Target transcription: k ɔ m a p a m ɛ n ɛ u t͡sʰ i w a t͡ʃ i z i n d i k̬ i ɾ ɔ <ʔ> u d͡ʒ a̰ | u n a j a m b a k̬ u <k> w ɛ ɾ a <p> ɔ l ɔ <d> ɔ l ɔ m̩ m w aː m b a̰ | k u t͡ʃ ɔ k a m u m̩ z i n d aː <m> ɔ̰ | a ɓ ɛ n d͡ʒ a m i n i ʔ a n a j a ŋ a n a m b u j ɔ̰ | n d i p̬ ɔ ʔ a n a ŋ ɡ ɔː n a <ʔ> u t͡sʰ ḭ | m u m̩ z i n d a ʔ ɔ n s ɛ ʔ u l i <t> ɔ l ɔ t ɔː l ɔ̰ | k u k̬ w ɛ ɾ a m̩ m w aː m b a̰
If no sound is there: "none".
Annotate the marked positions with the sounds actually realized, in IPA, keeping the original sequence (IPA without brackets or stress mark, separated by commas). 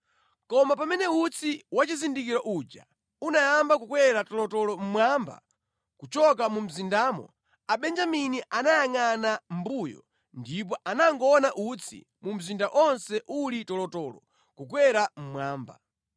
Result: ʔ, k, t, t, m, ʔ, t